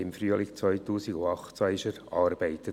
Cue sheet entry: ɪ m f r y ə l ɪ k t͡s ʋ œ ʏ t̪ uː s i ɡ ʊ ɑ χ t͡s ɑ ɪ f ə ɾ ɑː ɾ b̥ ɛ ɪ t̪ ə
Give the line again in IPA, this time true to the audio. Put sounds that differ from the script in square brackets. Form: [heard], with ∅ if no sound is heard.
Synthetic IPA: ɪ m f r y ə l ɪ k t͡s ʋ œ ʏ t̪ uː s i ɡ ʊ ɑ χ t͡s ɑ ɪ [ʃ] ə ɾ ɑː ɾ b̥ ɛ ɪ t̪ ə